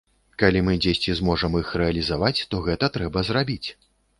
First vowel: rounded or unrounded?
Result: unrounded